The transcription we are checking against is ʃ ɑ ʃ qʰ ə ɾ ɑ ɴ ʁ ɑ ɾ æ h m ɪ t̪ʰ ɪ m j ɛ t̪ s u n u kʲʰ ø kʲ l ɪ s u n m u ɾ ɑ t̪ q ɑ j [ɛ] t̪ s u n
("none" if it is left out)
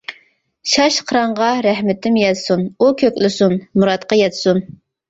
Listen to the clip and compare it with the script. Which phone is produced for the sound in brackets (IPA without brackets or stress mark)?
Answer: ɛ